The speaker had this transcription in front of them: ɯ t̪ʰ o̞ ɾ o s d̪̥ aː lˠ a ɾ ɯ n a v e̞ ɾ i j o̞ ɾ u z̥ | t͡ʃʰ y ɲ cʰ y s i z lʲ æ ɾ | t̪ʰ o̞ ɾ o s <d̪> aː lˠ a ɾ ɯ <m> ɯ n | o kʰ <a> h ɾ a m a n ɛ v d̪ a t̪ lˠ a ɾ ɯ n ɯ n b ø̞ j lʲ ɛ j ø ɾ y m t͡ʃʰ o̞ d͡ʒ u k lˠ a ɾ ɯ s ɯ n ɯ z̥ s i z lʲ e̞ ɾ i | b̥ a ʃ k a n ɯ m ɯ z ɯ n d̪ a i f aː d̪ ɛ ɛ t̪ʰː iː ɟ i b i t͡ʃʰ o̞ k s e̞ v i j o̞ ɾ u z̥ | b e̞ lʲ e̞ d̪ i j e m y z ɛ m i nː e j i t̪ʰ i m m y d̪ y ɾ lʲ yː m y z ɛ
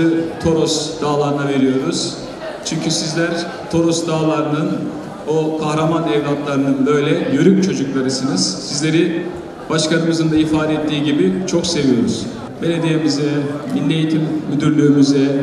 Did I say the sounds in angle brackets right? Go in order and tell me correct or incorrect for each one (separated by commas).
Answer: correct, incorrect, correct